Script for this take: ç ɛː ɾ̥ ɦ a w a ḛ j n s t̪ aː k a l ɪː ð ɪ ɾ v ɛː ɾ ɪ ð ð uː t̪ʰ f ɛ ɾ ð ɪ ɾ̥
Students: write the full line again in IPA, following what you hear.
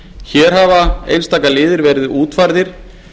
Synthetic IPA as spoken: ç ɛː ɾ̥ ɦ a v a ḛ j n s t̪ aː k a l ɪː ð ɪ ɾ v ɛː ɾ ɪ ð ð uː t̪ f a ɾ ð ɪ ɾ̥